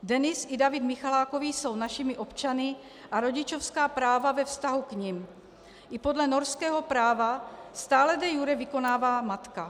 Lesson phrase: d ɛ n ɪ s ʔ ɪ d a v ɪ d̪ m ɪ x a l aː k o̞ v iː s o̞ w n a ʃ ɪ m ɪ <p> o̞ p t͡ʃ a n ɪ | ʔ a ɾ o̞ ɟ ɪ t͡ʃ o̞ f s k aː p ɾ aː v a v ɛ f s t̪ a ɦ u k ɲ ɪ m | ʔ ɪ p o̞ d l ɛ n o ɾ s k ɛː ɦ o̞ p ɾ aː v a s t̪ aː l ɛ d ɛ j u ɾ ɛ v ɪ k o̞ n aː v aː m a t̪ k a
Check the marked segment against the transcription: incorrect: ʔ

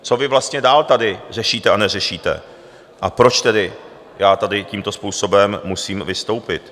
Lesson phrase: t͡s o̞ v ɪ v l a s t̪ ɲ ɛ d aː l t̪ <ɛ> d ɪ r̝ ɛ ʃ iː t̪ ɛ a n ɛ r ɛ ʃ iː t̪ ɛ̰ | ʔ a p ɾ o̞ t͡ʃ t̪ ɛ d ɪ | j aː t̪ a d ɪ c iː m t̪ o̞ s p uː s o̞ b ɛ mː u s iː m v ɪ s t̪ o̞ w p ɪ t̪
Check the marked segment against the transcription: incorrect: a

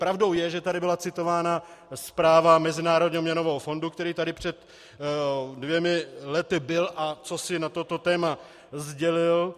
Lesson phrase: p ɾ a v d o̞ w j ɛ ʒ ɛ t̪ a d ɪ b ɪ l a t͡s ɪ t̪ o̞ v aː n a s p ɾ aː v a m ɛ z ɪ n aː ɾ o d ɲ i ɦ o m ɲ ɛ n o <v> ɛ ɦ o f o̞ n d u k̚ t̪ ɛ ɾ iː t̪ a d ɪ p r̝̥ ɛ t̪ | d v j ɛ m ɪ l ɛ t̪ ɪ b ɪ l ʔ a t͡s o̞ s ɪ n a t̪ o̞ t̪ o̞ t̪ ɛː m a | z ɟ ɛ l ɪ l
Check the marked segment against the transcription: correct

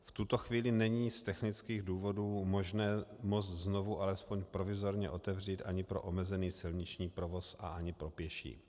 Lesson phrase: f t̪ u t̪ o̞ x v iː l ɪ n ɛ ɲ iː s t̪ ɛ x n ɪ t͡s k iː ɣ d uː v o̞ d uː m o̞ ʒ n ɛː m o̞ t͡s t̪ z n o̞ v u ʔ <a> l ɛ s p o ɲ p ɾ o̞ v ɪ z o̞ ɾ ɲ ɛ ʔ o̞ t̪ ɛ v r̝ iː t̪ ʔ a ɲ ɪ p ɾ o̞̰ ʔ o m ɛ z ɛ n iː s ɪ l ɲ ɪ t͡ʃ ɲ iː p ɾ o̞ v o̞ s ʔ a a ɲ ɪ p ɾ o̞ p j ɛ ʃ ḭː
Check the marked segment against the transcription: correct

